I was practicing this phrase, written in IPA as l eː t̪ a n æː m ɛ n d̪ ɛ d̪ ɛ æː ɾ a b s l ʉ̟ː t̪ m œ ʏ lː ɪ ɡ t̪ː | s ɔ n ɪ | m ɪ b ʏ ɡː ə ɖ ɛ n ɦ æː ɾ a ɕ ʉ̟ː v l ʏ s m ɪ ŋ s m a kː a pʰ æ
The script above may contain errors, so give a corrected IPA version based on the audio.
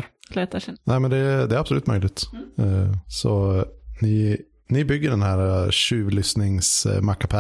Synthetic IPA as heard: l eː t̪ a n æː m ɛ n d̪ ɛ d̪ ɛ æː ɾ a b s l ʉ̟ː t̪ m œ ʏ l ɪ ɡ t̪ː | s ɔ n ɪ | n ɪ b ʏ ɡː ə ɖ ɛ n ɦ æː ɾ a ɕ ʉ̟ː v l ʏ s n ɪ ŋ s m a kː a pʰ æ